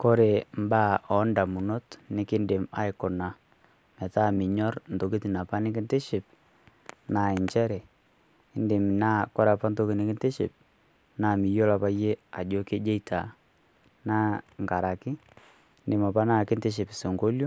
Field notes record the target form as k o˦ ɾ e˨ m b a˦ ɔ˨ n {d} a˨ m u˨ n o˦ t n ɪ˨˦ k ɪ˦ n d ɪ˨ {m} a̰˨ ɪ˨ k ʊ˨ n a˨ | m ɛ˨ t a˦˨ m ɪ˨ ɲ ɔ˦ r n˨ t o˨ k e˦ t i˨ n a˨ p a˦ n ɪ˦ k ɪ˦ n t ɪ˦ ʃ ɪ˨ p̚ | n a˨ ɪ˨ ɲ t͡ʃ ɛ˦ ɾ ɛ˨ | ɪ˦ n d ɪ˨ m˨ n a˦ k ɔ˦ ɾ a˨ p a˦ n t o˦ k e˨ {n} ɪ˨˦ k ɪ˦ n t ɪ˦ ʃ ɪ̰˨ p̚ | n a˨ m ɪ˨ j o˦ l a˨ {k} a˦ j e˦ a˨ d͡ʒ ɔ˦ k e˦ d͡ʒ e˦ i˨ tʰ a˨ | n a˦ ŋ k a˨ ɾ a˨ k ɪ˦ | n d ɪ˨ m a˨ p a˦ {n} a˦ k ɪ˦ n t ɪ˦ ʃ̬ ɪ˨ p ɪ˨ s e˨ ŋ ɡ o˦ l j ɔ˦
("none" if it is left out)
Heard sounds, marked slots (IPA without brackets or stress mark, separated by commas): d, m, n, p, n